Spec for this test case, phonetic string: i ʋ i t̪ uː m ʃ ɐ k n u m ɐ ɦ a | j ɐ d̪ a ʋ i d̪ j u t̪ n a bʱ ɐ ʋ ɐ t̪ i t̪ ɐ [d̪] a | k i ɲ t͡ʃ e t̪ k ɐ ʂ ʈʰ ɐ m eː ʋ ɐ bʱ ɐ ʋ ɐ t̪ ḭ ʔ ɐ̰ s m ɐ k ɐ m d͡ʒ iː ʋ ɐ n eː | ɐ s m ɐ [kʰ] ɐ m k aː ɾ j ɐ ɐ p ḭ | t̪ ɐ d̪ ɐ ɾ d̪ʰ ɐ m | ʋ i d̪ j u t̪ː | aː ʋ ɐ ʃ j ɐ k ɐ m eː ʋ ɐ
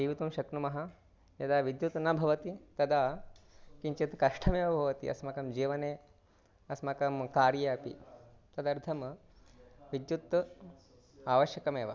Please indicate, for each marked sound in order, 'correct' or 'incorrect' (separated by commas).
correct, incorrect